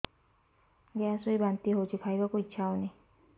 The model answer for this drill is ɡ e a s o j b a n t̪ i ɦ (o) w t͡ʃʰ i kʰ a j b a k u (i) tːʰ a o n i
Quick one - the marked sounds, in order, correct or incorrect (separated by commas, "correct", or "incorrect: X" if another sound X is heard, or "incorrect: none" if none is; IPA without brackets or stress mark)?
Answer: correct, correct